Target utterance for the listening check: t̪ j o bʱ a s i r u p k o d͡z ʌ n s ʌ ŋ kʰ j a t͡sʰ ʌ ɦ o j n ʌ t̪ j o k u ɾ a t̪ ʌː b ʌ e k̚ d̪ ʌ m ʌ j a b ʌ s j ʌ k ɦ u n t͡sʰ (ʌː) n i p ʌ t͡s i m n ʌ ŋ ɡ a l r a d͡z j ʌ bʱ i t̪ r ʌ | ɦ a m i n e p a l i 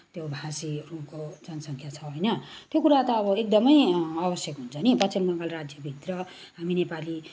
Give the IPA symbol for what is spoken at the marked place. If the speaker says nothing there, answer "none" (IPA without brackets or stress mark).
ʌ